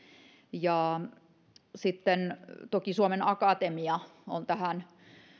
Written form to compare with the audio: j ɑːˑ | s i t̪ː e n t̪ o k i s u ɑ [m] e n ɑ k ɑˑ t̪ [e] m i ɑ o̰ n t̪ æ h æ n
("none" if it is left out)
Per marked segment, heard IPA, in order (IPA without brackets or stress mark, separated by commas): m, e